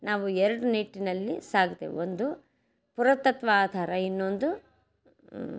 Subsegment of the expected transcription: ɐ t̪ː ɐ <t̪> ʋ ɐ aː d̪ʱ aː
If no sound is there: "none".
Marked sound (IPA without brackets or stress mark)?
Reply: t̪